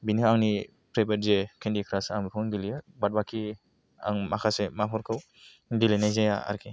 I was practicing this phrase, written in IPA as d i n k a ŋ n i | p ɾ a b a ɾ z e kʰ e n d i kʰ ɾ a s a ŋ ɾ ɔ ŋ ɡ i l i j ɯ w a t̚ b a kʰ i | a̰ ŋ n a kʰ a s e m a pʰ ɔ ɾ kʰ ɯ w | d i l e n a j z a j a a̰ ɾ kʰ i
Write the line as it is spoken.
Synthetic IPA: b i n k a ŋ n i | p ɾ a b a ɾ z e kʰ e n d i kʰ ɾ a s a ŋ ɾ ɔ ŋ ɡ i l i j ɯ b a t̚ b a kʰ i | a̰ ŋ m a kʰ a s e m a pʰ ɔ ɾ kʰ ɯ w | d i l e n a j z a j a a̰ ɾ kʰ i